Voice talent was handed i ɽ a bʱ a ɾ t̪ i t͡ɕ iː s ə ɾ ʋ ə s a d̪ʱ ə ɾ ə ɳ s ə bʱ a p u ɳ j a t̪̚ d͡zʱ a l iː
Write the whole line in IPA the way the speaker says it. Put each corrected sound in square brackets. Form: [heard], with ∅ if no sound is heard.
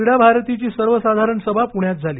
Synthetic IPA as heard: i ɽ a bʱ a ɾ t̪ i t͡ɕ iː s ə ɾ ʋ ə s a d̪ʱ [a] ɾ ə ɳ s ə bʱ a p u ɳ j a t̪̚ d͡zʱ a l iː